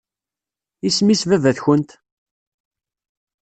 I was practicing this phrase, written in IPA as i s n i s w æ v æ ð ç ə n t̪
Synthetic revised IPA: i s m i s v æ v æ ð ç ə n t̪